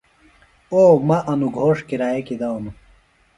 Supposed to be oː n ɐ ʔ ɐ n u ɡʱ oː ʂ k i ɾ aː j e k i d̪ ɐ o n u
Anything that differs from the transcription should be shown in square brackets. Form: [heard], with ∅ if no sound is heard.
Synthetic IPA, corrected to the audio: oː [m] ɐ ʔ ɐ n u ɡʱ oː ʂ k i ɾ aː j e k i d̪ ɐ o n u